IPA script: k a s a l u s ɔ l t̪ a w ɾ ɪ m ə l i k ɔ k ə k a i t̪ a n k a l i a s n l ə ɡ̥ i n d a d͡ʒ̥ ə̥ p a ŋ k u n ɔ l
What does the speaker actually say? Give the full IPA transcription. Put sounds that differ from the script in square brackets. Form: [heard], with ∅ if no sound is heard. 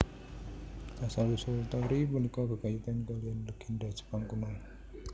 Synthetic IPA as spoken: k a s a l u s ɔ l t̪ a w ɾ [i] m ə l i k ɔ k ə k a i t̪ a n k a l i a [∅] n l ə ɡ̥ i n d a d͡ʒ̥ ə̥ p a ŋ k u n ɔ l